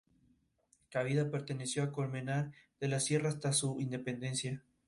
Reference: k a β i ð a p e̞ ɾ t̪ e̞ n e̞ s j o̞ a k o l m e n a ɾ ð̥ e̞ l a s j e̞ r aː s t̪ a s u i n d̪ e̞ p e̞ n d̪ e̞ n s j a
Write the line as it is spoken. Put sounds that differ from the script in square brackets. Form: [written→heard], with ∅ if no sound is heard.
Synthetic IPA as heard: k a β i ð a p e̞ ɾ t̪ e̞ n e̞ s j o̞ a k o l m e n a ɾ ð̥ e̞ l a s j e̞ r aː s t̪ a s u i n d̪ e̞ p e̞ n d̪ e̞ n s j a